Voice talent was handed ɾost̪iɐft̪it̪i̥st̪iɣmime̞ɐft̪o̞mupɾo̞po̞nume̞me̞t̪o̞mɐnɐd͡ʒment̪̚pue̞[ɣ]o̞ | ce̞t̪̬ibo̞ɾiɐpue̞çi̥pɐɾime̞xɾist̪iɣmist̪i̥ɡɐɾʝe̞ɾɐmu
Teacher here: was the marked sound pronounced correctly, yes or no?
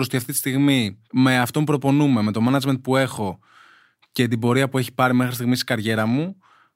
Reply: no